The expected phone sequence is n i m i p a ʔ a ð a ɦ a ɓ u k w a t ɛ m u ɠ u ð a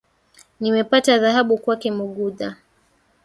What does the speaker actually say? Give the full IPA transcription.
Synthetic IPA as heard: n i m ɛ p a t a ð a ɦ a ɓ u k w a k ɛ m u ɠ u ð a